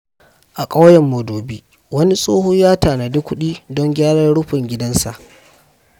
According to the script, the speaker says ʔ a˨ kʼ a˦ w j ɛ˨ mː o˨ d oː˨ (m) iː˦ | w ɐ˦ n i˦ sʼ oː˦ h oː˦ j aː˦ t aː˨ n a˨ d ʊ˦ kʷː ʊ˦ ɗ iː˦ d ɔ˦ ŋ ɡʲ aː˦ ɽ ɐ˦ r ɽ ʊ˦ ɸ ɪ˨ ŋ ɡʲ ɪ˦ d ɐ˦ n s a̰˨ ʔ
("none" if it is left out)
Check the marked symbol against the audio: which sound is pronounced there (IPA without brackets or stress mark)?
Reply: b